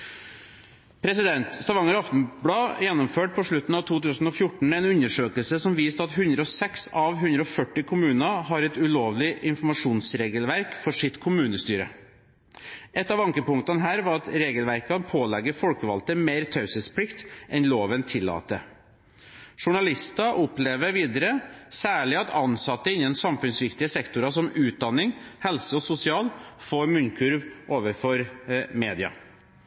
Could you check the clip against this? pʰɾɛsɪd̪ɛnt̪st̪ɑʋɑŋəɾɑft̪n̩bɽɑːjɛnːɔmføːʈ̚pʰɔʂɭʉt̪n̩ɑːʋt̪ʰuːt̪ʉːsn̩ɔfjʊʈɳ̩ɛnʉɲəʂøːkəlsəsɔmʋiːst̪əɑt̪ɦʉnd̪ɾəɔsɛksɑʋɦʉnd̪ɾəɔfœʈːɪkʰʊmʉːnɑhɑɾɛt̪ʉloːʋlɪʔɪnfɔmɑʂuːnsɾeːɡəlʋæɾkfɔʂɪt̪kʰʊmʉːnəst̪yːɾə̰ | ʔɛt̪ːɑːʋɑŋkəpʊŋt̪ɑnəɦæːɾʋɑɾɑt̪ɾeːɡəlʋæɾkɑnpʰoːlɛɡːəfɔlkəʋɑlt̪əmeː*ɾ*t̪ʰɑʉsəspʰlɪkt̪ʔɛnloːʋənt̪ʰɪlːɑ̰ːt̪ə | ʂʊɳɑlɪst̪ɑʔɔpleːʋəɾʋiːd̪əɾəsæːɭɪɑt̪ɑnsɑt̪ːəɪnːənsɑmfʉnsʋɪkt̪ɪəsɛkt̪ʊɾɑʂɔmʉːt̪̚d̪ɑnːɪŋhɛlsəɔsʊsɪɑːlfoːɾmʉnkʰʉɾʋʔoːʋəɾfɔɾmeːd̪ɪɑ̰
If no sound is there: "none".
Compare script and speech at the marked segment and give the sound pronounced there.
ɾ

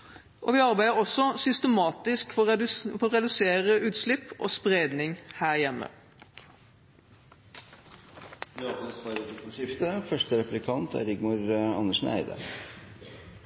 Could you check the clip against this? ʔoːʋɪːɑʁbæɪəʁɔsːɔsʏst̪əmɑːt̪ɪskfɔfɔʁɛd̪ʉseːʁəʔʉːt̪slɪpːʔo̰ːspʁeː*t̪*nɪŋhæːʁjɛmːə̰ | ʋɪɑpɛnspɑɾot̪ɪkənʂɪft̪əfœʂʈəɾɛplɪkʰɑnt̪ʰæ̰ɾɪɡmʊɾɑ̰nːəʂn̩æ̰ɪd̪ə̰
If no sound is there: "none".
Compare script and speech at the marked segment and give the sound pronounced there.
d̪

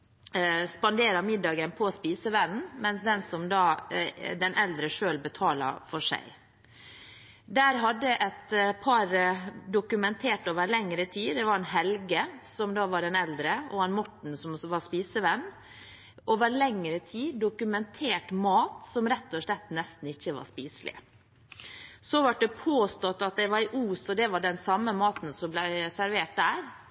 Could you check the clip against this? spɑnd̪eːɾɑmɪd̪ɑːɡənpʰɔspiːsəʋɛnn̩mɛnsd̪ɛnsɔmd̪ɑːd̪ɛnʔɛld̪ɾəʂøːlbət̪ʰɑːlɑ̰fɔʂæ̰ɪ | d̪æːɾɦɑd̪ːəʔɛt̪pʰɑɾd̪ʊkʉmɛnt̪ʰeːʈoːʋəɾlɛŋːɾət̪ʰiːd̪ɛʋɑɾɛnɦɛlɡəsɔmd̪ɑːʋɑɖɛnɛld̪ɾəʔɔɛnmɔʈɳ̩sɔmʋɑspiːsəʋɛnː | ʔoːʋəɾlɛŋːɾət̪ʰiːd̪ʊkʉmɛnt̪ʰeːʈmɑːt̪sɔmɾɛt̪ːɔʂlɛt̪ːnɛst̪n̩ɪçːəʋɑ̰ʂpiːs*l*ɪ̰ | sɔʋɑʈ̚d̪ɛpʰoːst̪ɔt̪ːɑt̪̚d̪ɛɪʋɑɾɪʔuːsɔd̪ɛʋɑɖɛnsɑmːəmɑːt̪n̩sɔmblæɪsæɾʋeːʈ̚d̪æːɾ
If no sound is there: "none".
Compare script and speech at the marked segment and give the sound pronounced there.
l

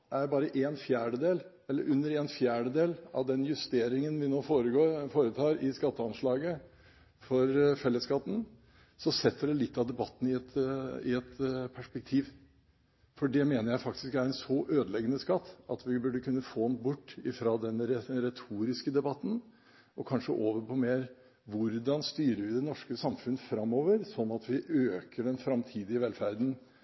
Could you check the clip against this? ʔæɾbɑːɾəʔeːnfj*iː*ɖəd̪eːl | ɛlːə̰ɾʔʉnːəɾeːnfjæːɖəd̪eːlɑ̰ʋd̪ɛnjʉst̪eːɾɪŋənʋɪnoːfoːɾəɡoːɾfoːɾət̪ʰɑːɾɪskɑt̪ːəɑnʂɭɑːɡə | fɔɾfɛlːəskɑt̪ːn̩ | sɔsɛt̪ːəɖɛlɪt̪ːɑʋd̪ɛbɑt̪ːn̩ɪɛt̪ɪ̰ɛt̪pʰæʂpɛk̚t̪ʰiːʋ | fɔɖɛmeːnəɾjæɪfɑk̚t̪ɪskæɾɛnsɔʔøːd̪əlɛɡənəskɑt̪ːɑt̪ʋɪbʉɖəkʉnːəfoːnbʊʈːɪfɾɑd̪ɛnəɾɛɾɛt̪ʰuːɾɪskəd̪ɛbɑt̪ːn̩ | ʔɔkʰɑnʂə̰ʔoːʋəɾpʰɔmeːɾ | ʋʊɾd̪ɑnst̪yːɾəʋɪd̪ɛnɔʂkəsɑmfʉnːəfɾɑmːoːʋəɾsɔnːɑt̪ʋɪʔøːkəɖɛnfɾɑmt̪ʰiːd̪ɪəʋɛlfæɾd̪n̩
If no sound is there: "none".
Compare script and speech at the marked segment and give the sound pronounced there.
æː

